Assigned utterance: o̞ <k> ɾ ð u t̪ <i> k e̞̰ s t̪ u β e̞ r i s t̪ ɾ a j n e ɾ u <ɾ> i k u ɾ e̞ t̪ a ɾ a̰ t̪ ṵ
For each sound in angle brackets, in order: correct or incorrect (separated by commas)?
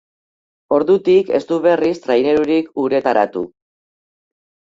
incorrect, correct, correct